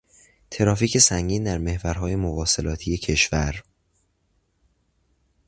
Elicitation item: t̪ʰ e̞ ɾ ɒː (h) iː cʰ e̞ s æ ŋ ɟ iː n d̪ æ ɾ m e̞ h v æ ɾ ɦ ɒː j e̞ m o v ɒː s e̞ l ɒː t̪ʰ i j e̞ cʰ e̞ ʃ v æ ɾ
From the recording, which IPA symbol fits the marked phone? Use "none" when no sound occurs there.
f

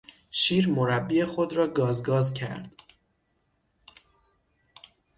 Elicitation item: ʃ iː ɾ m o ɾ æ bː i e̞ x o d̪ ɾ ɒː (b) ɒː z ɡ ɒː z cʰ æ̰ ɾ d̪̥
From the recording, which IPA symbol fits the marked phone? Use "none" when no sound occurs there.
ɡ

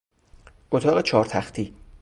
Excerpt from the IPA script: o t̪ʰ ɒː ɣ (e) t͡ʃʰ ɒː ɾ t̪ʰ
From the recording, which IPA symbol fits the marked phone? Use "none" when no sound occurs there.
e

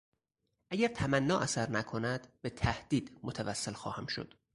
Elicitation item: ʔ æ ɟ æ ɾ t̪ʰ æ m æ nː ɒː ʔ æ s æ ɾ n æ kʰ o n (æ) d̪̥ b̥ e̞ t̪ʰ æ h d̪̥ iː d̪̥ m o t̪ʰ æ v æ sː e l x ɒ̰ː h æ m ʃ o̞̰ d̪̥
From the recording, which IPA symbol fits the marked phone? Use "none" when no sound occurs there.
æ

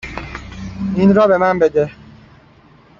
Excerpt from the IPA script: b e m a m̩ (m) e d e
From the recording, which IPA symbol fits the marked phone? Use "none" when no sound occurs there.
b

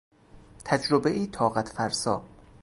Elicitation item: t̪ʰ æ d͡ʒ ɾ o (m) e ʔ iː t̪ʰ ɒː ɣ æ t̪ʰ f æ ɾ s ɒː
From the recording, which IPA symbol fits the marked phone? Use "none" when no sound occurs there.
b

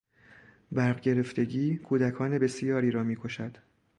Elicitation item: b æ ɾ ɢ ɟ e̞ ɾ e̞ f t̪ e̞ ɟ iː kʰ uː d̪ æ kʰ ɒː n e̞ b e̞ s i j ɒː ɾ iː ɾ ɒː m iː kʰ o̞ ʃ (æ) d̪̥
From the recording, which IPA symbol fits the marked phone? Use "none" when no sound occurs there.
æ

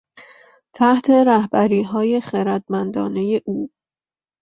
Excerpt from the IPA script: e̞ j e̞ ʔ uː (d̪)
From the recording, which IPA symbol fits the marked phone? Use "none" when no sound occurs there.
none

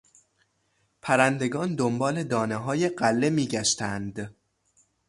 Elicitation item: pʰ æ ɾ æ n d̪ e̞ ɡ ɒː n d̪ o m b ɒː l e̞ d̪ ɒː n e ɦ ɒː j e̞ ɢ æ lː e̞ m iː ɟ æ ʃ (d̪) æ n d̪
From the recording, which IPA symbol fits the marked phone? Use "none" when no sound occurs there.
t̪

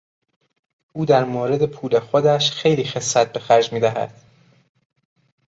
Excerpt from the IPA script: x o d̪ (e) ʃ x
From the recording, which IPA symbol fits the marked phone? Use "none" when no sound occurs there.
æ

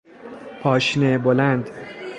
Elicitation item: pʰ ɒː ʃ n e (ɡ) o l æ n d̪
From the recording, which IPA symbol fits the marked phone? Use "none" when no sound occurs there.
b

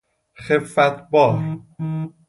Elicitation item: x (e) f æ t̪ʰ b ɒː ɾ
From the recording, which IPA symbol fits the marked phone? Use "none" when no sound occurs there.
e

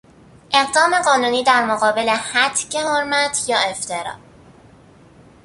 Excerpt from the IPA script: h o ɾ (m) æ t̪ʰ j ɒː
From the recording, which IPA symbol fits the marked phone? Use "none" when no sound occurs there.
m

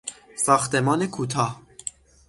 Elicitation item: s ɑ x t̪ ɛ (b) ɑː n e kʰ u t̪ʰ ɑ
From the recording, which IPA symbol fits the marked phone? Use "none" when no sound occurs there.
m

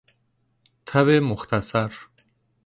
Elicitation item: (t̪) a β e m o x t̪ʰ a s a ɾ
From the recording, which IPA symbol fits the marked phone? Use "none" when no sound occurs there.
t̪ʰ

